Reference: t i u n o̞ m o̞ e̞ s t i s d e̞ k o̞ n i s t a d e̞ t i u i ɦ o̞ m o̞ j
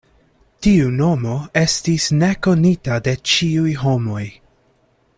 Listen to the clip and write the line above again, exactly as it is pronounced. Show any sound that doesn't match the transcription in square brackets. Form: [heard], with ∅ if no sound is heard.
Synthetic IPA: t i u n o̞ m o̞ e̞ s t i s [n] e̞ k o̞ n i [∅] t a d e̞ [t͡ʃ] i u [j] ɦ o̞ m o̞ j

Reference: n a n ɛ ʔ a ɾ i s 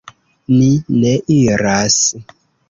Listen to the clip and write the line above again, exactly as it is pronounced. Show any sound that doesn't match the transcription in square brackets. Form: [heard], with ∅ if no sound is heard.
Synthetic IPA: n [i] n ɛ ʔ [i] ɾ [a] s

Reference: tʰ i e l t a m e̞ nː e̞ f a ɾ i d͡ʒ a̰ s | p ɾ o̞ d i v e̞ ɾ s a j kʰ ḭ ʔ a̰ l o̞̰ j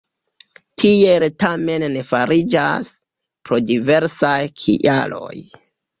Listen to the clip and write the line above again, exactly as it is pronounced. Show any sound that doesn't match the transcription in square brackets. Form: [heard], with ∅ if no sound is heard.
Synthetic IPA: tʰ i e l t a m e̞ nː e̞ f a ɾ i d͡ʒ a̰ s | p ɾ o̞ d i v e̞ ɾ s a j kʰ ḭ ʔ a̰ l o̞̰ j

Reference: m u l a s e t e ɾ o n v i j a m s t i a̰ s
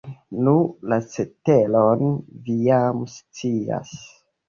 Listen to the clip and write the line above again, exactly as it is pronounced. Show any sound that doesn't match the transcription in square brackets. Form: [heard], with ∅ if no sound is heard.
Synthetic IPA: [n] u l a s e t e [l] o n v i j a m s [t͡s] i a̰ s

